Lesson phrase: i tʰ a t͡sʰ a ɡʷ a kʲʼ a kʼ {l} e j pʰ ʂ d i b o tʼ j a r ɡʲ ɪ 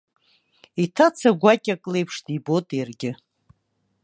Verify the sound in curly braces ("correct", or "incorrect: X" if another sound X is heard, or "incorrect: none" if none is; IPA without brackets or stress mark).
correct